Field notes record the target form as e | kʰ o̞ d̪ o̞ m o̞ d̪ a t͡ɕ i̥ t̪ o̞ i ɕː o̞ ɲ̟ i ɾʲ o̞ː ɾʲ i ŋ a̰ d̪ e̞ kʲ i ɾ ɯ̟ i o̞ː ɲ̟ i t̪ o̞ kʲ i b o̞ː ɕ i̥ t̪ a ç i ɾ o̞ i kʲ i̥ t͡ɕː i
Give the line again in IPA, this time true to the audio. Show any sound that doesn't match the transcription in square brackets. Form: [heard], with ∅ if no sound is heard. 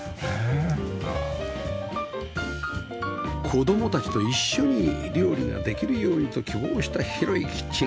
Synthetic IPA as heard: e | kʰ o̞ d̪ o̞ m o̞ [t̪] a t͡ɕ i̥ t̪ o̞ i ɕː o̞ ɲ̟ i ɾʲ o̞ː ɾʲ i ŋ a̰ d̪ e̞ kʲ i ɾ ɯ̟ [j] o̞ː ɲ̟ i t̪ o̞ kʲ i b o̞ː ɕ i̥ t̪ a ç i ɾ o̞ i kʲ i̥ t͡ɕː i